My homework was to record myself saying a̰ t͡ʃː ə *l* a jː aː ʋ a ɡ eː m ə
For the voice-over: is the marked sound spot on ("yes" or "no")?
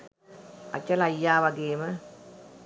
yes